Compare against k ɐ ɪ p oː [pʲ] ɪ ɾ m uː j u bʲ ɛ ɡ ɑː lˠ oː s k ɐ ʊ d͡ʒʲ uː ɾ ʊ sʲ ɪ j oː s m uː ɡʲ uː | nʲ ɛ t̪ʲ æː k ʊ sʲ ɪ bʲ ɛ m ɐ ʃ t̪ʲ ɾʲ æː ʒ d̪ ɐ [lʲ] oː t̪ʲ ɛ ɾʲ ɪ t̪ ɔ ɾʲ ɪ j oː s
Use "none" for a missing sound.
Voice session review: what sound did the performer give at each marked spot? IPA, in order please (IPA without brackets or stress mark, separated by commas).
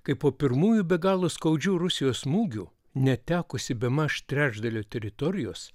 pʲ, lʲ